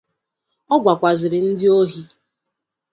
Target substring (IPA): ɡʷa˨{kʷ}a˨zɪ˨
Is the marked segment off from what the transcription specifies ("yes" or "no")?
no